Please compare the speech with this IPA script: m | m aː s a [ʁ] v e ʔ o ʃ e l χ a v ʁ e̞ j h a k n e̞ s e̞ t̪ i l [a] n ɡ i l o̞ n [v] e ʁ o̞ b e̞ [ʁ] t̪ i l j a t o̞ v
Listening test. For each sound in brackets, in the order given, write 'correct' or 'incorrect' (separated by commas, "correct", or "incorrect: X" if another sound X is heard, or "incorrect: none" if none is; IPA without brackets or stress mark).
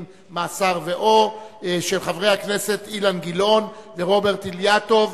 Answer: correct, correct, correct, correct